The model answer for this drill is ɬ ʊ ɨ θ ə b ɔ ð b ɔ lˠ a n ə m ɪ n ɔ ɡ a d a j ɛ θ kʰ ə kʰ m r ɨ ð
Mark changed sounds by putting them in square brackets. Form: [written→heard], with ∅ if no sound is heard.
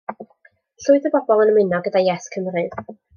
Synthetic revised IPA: ɬ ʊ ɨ [θ→ð] ə b ɔ [ð→∅] b ɔ lˠ [a→ə] n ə m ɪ n ɔ ɡ [a→ə] d a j ɛ [θ→s] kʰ ə [kʰ→∅] m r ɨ ð

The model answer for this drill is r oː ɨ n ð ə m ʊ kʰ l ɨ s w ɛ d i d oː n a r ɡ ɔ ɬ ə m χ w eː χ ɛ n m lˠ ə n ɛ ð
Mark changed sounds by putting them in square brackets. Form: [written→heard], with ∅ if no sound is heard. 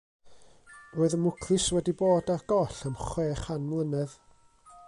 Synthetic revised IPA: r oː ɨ [n→∅] ð ə m ʊ kʰ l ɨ s w ɛ d i [d→b] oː [n→d] a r ɡ ɔ ɬ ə m χ w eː χ [ɛ→a] n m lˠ ə n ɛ ð

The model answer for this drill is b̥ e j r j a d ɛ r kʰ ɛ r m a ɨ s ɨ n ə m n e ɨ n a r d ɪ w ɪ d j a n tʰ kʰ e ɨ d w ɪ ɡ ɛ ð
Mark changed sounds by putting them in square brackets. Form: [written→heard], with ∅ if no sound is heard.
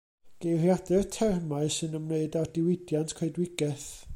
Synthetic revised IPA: [b̥→ɡ̥] e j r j a d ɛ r [kʰ→tʰ] ɛ r m a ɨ s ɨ n ə m n e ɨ [n→d] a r d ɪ w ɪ d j a n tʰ kʰ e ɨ d w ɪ ɡ ɛ [ð→θ]

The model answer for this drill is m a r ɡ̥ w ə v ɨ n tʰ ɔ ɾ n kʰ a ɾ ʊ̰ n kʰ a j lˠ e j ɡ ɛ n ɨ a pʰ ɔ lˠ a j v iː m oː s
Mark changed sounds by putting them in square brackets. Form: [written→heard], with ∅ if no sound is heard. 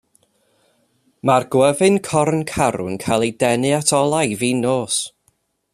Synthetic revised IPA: m a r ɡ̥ w ə v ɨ n [tʰ→kʰ] ɔ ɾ n kʰ a ɾ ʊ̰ n kʰ a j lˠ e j [ɡ→d] ɛ n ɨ a [pʰ→tʰ] ɔ lˠ a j v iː [m→n] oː s

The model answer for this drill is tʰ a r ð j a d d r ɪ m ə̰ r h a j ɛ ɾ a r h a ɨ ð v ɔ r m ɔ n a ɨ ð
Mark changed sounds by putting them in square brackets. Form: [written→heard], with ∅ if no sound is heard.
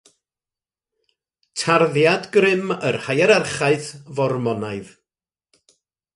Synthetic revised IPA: tʰ a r ð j a d [d→ɡ] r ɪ m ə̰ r h a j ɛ ɾ a r [h→χ] a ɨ [ð→θ] v ɔ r m ɔ n a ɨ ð

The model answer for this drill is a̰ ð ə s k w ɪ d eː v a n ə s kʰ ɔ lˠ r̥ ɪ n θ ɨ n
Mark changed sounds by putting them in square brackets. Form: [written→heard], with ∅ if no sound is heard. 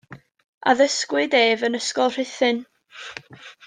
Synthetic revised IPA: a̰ ð ə s k w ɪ d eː v [a→ə] n ə s [kʰ→k] ɔ lˠ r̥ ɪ [n→∅] θ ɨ n

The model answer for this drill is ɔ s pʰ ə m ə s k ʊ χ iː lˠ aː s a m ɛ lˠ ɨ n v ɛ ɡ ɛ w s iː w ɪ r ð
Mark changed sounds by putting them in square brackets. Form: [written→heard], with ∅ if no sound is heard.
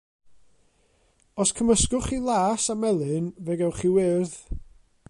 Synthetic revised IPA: ɔ s [pʰ→kʰ] ə m ə s k ʊ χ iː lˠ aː s a m ɛ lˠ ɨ n v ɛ ɡ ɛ w [s→χ] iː w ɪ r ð

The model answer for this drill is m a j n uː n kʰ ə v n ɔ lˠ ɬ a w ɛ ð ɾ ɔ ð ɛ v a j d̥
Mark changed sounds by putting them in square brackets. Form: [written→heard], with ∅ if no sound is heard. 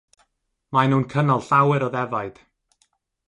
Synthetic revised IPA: m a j n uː n kʰ ə [v→∅] n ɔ lˠ ɬ a w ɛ [ð→∅] ɾ ɔ ð ɛ v a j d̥

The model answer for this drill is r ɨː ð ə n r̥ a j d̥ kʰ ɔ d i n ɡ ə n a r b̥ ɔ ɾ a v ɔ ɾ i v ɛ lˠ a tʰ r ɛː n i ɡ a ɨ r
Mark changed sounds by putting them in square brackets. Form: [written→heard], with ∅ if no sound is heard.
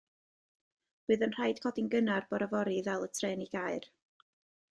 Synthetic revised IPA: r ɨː ð ə n r̥ a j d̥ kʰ ɔ d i n ɡ ə n a r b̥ ɔ ɾ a v ɔ ɾ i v ɛ lˠ [a→ə] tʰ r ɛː n i ɡ a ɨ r

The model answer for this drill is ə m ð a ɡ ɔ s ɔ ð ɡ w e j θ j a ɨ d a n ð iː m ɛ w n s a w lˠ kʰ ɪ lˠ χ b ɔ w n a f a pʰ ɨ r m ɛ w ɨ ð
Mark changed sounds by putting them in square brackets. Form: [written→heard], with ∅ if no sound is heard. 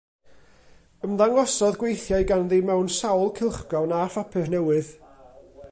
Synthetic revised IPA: ə m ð a [ɡ→ŋ] ɔ s ɔ ð ɡ w e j θ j a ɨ [d→ɡ] a n ð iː m ɛ w n s a w lˠ kʰ ɪ lˠ χ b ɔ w n a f a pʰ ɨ r [m→n] ɛ w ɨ ð

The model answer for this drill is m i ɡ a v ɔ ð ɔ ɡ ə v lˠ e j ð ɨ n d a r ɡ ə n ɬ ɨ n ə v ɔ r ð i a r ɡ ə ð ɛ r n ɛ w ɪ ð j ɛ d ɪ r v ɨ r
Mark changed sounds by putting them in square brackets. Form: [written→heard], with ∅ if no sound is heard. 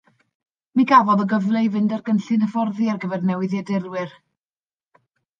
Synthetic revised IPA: m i ɡ a v ɔ ð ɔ ɡ ə v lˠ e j [ð→v] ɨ n d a r ɡ ə n ɬ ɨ n ə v ɔ r ð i a r ɡ ə [ð→v] ɛ r n ɛ w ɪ ð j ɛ d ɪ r [v→w] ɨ r

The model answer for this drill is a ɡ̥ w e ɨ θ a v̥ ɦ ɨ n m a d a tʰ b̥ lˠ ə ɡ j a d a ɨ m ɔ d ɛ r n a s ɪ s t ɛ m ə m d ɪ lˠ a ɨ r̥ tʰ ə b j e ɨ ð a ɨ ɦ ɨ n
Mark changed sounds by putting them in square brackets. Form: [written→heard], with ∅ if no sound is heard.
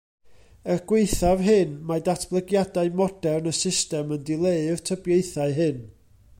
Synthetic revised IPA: [a→ə] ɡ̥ w e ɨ θ a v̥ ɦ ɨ n m a d a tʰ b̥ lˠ ə ɡ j a d a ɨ m ɔ d ɛ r n [a→ə] s ɪ s t ɛ m ə [m→n] d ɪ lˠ [a→e] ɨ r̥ tʰ ə b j e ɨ [ð→θ] a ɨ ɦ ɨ n

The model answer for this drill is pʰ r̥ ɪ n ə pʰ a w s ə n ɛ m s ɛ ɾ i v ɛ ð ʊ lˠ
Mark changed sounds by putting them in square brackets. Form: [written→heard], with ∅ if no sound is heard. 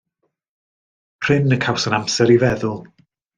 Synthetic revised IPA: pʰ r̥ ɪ n ə [pʰ→kʰ] a w s ə n [ɛ→a] m s ɛ ɾ i v ɛ ð ʊ lˠ

